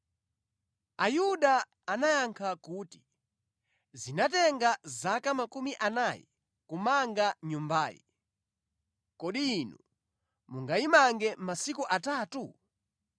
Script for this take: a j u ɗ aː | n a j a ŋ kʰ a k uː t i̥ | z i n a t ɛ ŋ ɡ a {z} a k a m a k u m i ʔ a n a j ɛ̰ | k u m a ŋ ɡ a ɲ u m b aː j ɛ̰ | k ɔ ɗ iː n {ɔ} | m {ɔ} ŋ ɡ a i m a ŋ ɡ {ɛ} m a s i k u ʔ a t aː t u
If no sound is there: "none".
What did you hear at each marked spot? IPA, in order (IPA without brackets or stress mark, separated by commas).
z, u, u, ɛ